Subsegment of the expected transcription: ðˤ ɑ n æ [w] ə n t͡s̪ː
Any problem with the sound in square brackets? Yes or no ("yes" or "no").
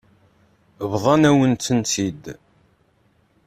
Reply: no